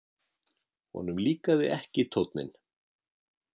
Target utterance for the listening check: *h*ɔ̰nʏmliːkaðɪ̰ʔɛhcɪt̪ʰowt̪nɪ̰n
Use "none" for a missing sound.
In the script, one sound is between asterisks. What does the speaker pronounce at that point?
h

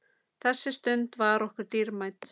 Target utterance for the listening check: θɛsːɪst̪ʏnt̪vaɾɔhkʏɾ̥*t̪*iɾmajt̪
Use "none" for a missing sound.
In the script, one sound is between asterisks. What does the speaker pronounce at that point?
t̪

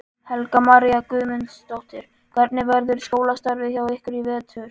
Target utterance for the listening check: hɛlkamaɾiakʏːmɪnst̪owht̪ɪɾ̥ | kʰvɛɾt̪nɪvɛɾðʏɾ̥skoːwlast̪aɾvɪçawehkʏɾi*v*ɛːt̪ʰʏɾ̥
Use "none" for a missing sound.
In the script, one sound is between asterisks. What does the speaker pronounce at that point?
v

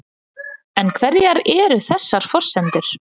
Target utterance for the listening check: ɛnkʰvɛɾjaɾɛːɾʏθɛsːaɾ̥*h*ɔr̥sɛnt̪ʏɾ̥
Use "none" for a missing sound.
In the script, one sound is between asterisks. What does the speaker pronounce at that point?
f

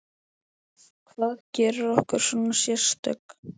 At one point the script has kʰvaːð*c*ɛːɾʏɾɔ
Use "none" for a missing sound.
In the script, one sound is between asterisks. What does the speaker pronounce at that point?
c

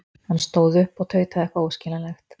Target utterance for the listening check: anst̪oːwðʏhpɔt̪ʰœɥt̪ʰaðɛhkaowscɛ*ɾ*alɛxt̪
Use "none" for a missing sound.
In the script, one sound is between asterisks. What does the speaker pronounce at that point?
l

